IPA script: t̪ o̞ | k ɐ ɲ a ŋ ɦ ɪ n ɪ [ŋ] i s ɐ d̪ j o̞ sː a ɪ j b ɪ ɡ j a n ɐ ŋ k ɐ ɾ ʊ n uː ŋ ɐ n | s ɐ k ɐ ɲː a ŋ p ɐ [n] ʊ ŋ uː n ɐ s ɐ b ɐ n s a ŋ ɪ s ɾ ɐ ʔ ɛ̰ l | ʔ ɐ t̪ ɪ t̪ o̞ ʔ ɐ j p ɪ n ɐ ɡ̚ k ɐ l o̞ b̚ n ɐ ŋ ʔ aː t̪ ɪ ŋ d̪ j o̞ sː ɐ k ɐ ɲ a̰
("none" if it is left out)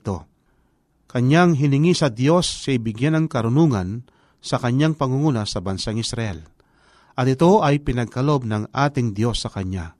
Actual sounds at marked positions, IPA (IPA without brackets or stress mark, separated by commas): ŋ, ŋ